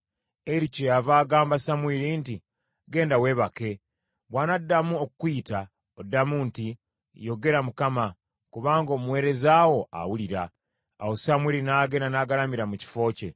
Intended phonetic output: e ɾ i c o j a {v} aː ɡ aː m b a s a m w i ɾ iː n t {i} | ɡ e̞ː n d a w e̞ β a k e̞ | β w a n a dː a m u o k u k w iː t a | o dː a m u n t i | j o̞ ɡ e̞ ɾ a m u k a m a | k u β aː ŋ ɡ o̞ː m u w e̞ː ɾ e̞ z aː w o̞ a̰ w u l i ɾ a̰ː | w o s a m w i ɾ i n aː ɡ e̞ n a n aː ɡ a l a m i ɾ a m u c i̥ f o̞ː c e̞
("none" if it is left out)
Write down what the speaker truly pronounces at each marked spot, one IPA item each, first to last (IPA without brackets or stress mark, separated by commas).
v, i